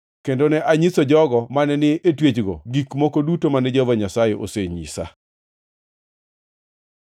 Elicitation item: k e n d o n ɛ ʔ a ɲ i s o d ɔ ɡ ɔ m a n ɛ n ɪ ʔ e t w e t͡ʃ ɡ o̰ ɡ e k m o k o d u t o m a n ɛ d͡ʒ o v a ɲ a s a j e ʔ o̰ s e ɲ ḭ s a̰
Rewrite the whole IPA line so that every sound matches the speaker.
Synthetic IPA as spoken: k e n d o n ɛ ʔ a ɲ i s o d͡ʒ ɔ ɡ ɔ m a n ɛ n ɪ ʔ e t w e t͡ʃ ɡ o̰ ɡ i k m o k o d u t o m a n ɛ d͡ʒ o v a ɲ a s a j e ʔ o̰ s e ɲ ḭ s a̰